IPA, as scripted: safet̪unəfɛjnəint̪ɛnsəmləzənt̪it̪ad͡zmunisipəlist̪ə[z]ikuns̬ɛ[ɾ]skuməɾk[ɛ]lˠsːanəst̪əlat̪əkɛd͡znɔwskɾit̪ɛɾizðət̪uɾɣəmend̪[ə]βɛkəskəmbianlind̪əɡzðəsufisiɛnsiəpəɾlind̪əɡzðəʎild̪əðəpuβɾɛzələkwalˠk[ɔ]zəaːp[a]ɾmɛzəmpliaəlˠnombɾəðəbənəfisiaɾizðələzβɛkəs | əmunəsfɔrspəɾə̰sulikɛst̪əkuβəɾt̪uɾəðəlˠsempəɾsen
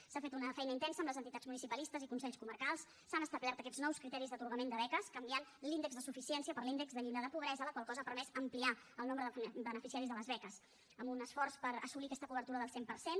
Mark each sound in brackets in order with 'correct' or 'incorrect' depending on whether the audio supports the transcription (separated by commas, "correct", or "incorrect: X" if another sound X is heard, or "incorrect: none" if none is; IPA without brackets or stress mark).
correct, incorrect: ʎ, incorrect: a, correct, correct, incorrect: ə